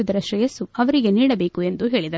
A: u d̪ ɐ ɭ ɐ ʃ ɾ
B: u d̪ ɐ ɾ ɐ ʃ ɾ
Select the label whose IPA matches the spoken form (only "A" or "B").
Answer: B